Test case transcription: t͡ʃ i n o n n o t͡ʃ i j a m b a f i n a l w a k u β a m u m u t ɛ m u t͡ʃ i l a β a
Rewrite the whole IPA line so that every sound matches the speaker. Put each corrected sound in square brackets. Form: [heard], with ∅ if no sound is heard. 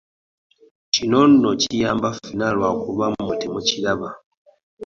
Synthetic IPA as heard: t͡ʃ i n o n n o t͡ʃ i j a m b a f i n a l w a k u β a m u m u t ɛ m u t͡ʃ i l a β a